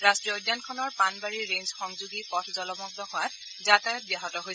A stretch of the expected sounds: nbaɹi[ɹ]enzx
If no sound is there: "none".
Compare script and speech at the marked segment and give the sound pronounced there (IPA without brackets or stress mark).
ɹ